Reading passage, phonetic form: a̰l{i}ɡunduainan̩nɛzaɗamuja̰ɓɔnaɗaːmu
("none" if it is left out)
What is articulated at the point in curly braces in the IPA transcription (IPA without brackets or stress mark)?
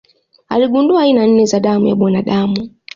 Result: i